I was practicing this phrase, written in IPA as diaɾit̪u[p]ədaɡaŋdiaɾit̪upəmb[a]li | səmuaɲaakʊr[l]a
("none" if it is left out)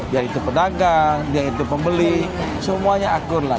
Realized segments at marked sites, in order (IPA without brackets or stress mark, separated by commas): p, ə, l